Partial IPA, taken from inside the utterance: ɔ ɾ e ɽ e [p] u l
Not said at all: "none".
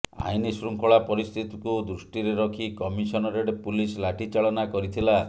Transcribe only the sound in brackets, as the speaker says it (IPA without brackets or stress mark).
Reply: p